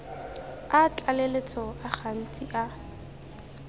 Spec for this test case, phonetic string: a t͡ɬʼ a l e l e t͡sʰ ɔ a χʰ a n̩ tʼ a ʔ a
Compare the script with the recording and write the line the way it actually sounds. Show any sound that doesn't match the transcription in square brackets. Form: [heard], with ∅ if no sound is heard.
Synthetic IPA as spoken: a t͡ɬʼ a l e l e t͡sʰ ɔ a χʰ a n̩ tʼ [i] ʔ a